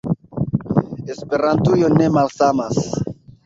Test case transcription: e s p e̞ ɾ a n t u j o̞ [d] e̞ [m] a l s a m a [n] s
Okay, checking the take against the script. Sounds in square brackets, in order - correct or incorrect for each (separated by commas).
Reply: incorrect, correct, incorrect